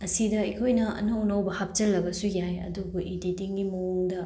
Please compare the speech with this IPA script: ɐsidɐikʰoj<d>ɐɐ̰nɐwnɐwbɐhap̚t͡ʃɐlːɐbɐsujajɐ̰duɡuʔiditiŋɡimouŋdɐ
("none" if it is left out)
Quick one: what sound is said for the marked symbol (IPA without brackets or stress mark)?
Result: n